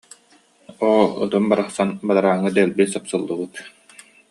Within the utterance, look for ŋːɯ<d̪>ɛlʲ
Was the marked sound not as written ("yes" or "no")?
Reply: no